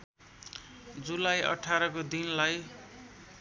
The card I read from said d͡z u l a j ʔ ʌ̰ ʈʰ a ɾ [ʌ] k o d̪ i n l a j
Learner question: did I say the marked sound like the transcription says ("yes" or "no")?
yes